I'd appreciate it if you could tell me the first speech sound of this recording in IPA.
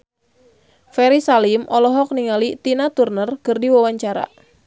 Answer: f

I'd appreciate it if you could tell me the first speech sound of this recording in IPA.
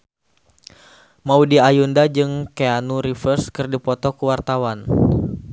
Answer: m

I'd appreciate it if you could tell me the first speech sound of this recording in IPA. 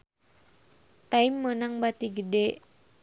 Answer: t̪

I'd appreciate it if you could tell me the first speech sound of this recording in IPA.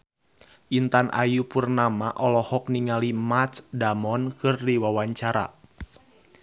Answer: ʔ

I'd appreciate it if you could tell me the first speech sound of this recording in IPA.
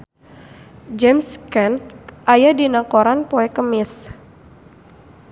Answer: d͡ʒ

